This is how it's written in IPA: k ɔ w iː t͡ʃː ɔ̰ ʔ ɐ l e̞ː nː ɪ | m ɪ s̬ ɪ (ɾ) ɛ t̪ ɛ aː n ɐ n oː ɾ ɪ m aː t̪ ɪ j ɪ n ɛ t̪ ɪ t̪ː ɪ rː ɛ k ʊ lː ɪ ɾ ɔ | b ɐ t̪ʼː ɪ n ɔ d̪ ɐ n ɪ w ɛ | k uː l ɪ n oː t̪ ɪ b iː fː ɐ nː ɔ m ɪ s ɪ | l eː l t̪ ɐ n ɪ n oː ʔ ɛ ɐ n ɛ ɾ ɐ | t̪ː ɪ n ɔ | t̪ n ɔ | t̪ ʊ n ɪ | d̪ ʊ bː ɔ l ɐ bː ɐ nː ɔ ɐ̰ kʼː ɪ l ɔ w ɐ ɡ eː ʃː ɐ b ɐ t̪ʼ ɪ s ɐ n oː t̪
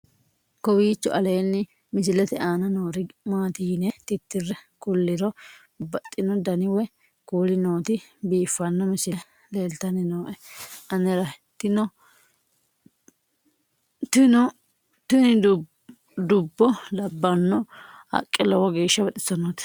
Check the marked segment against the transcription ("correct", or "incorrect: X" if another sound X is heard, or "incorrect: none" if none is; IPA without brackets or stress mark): incorrect: l